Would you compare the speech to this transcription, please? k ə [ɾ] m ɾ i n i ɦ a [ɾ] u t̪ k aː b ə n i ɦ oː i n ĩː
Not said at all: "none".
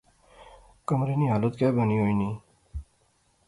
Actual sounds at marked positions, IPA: none, l

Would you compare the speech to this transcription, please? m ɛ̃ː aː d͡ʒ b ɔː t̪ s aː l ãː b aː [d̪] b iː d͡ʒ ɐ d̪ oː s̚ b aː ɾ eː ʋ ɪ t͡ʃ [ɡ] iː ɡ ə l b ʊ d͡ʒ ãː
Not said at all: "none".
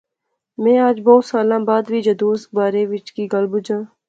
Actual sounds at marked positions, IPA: d̪, k

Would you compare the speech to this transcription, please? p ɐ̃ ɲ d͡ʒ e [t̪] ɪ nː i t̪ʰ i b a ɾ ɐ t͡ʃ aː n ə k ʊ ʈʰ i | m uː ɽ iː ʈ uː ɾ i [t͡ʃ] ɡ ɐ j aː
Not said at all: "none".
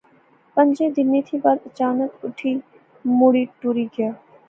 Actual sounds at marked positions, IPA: d̪, none

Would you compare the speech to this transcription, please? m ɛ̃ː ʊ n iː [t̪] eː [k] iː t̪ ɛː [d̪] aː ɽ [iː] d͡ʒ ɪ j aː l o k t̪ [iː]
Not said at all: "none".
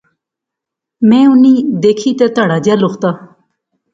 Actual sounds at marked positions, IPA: d̪, kʰ, t̪, aː, aː

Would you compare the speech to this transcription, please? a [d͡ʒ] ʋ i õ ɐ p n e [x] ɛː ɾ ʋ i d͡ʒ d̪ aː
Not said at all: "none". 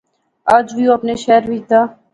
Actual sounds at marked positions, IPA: d͡ʒ, ʃ

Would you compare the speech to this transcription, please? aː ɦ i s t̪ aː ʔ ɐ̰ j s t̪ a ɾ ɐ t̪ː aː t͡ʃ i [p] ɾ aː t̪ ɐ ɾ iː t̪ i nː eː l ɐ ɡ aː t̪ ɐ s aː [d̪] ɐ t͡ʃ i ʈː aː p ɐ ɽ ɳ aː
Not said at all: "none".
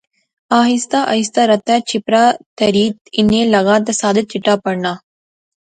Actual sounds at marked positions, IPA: p, d̪

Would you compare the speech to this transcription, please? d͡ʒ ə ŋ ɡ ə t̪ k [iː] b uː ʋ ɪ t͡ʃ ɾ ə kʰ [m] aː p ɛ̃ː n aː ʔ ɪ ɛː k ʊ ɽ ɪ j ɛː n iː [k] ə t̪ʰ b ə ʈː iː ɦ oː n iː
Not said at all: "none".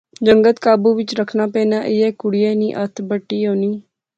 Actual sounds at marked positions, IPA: aː, n, ʔ

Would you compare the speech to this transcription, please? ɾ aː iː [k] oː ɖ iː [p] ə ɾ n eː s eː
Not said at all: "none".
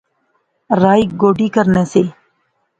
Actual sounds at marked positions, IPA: ɡ, k

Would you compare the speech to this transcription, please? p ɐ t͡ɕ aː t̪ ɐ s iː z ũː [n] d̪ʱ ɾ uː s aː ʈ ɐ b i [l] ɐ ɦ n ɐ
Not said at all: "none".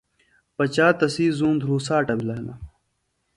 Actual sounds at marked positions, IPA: n, l

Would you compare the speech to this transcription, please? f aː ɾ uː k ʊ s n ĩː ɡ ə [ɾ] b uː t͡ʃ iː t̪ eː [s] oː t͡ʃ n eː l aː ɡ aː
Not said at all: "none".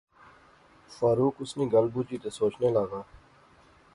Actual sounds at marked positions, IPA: l, s

